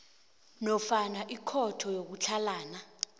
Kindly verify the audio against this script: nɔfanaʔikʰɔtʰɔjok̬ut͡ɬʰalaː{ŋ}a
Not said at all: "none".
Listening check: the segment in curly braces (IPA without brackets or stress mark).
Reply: n